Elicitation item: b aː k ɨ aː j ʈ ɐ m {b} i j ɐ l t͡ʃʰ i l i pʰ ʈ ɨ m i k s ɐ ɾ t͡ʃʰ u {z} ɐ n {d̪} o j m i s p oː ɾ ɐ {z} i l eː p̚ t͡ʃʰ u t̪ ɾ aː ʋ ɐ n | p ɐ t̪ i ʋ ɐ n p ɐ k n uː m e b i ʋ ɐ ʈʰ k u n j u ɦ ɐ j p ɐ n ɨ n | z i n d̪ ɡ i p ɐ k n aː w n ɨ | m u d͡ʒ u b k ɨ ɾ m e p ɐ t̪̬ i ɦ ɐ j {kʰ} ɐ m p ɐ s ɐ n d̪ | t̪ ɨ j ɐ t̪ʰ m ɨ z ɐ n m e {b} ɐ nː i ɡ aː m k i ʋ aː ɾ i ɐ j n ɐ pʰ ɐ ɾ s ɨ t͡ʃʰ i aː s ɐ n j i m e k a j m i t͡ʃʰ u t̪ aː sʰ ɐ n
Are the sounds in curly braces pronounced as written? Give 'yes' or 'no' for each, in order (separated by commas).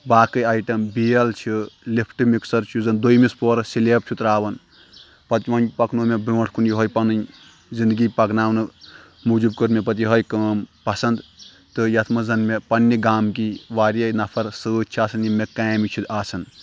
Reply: yes, yes, yes, no, no, no